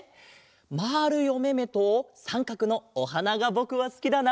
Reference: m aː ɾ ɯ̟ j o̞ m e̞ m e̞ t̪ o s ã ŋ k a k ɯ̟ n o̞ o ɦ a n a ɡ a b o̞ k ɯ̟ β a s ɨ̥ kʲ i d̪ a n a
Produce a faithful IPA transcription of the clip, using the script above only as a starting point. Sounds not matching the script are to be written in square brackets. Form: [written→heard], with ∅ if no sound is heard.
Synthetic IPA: m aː ɾ ɯ̟ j o̞ m e̞ m e̞ t̪ o s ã ŋ k a k ɯ̟ n o̞ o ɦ a n a ɡ a b o̞ k ɯ̟ β a s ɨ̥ kʲ i d̪ a n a